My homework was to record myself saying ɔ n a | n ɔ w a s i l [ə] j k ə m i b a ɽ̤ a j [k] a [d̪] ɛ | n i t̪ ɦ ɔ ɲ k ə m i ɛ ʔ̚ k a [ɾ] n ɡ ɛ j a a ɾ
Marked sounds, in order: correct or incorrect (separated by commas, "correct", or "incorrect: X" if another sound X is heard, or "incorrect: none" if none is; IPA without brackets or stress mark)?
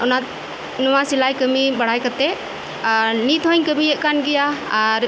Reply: incorrect: a, correct, incorrect: t̪, incorrect: none